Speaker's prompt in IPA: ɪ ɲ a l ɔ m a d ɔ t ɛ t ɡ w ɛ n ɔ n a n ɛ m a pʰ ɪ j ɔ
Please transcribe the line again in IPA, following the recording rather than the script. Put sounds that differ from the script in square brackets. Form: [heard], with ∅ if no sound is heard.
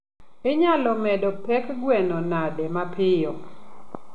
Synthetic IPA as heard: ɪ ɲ a l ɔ m [ɛ] d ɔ [p] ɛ [k] ɡ w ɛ n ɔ n a [d] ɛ m a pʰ ɪ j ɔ